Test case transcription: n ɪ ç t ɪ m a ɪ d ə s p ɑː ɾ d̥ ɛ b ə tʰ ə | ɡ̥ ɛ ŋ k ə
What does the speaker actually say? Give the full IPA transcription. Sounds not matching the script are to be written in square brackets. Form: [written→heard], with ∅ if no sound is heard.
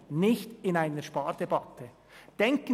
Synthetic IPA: n ɪ ç t ɪ [m→n] a ɪ [d→n] ə [s→ʃ] p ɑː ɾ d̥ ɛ b [ə→ɑ] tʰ ə | [ɡ̥→d̥] ɛ ŋ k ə